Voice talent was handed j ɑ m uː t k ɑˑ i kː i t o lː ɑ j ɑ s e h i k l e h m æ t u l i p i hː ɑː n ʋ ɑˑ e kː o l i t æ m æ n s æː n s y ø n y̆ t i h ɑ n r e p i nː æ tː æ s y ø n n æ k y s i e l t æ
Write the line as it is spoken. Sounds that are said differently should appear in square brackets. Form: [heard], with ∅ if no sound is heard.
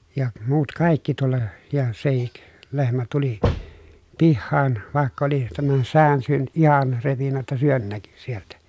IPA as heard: j ɑ m uː t k ɑˑ i kː i t [u] lː ɑ j ɑ s e h i k l e h m æ t u l i p i hː ɑː n ʋ ɑˑ e kː o l i t æ m æ n s æː n s y ø n y̆ t i h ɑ n r e p i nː æ tː æ s y ø n n æ k y s i e l t æ